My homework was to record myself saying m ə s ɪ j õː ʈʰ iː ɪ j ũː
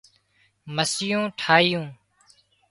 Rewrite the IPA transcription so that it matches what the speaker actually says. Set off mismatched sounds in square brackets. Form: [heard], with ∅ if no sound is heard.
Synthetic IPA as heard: m ə s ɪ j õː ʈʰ [aː] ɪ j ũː

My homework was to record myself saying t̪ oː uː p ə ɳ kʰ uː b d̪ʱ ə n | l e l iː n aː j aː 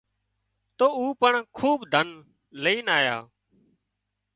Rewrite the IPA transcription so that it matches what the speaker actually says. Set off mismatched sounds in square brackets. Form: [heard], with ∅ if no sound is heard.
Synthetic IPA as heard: t̪ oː uː p ə ɳ kʰ uː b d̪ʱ ə n | l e [∅] iː n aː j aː

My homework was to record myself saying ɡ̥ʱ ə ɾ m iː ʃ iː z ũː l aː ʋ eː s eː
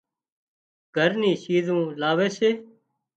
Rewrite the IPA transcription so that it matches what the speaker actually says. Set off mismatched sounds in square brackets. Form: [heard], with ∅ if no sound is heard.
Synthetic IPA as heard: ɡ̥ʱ ə ɾ [n] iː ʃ iː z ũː l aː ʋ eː s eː

